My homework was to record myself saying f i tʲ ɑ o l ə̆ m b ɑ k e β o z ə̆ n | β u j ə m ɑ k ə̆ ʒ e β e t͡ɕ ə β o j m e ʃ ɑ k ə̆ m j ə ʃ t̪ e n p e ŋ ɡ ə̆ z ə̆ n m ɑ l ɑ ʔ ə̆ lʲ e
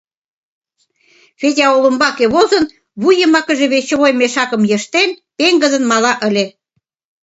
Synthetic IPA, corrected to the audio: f e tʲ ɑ o l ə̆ m b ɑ k e β o z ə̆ n | β u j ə m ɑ k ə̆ ʒ e β e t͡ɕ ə β o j m e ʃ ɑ k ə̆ m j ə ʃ t̪ e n p e ŋ ɡ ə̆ z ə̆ n m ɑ l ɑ ʔ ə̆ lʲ e